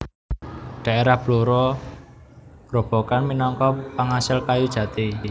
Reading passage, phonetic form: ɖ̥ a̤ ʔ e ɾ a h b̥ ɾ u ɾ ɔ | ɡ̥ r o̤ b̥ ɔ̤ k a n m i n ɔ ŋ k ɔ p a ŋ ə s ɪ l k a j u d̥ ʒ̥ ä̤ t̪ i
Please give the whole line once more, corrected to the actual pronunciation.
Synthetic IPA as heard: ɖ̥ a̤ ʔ e ɾ a h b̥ l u ɾ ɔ | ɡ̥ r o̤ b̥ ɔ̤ k a n m i n ɔ ŋ k ɔ p a ŋ a s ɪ l k a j u d̥ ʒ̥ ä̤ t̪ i